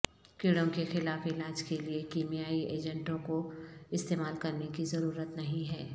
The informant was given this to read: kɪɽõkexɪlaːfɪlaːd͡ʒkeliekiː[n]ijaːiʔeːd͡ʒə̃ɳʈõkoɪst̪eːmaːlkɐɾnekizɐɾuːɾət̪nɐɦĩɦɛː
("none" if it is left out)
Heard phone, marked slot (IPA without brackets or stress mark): m